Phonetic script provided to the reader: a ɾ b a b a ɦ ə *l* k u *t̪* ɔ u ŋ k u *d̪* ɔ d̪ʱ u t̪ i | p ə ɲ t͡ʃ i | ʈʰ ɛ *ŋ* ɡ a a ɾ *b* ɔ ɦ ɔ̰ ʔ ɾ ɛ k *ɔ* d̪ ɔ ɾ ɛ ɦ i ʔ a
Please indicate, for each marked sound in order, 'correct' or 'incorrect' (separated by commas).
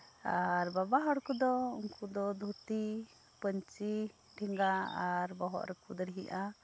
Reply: incorrect, incorrect, correct, correct, correct, incorrect